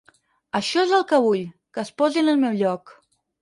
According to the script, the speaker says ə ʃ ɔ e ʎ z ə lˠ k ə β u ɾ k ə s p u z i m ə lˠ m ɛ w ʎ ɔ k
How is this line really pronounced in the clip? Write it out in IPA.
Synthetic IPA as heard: ə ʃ ɔ e z ə lˠ k ə β u ʎ k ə s p ɔ z i n ə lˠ m ɛ w ʎ ɔ k